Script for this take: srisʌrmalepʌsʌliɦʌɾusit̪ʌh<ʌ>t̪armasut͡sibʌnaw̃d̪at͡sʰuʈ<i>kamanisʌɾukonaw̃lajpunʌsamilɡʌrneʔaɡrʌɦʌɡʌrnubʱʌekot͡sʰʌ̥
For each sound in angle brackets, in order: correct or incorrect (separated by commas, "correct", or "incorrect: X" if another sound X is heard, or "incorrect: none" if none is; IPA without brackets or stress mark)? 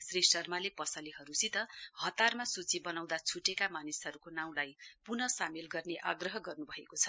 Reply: correct, incorrect: e